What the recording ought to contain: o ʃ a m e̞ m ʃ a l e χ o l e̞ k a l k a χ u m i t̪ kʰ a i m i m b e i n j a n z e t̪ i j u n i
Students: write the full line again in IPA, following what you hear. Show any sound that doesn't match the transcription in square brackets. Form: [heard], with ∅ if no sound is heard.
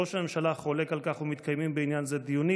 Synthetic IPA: o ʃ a m e̞ m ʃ a l [a] χ o l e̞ k a l k a χ u m i t̪ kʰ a [j] m i m b e i n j a n z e [d̪] i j u n i